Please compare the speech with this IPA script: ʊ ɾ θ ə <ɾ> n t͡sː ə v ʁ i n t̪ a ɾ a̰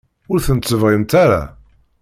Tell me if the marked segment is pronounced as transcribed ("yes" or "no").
no